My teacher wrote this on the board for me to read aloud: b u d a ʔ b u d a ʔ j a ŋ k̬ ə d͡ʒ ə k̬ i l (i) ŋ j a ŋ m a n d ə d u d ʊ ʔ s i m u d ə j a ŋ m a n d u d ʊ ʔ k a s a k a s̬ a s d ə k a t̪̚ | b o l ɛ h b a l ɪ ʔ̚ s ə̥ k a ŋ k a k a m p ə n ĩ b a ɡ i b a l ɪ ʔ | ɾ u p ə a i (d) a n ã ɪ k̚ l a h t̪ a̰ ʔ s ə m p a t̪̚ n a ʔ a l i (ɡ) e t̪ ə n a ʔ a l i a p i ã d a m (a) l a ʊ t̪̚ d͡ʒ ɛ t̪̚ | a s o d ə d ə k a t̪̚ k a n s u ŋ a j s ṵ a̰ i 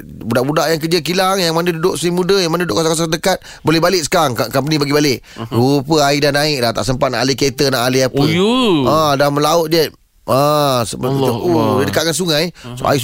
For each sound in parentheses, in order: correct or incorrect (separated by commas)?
incorrect, correct, incorrect, incorrect